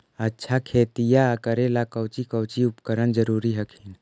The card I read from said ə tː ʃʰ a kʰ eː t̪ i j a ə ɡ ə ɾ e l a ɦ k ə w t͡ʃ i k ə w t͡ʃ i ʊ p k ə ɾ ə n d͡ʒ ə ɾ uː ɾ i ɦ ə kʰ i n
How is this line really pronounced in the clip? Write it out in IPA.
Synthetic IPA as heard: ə tː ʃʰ a kʰ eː t̪ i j a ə k ə ɾ e l a k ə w t͡ʃ i k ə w t͡ʃ i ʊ p k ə ɾ ə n d͡ʒ ə ɾ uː ɾ i ɦ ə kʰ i n